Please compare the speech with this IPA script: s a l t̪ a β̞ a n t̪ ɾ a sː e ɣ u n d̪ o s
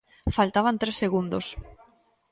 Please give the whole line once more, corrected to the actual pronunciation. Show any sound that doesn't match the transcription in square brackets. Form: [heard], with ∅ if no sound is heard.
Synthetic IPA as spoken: [f] a l t̪ a β̞ a n t̪ ɾ [e] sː e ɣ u n d̪ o s